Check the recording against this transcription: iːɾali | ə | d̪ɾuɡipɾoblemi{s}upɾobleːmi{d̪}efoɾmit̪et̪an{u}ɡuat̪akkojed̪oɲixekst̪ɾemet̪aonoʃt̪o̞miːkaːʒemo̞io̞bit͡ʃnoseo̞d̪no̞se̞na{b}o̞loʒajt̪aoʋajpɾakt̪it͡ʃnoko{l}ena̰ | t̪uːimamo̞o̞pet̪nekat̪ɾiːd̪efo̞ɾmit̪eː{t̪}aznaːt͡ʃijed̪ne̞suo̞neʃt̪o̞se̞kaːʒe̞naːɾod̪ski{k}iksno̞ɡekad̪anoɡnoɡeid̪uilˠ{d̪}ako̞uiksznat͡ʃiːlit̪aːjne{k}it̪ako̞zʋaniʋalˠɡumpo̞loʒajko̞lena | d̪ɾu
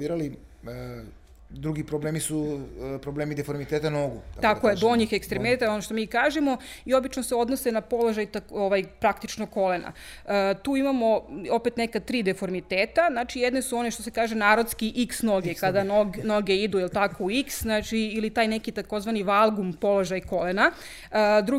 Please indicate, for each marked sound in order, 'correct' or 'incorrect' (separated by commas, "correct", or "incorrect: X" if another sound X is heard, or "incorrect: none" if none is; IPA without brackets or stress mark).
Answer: correct, correct, incorrect: o, incorrect: p, correct, correct, incorrect: ʔ, incorrect: t̪, correct